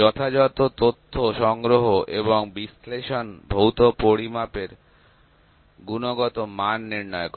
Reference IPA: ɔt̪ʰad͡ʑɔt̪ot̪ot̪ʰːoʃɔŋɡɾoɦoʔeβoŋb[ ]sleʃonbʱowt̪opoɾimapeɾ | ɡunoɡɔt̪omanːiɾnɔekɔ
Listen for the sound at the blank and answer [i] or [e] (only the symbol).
i